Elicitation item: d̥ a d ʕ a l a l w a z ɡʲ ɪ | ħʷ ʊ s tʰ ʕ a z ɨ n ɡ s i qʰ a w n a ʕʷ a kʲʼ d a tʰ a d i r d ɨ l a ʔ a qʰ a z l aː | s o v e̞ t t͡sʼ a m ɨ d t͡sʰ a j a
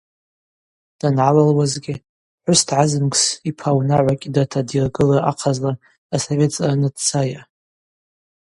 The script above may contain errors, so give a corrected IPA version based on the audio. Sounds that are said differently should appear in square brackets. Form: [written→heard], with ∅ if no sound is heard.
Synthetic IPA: d̥ a [d→n] ʕ a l a l w a z ɡʲ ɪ | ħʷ ʊ s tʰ ʕ a z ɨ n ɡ s i [qʰ→pʰ] a w n a ʕʷ a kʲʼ d a tʰ a d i r [d→ɡ] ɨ l a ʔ a qʰ a z l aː | s o v e̞ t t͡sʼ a [m→n] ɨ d t͡sʰ a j a